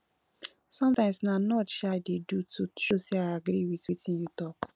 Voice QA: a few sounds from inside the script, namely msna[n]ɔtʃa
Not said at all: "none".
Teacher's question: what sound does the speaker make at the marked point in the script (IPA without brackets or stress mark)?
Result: n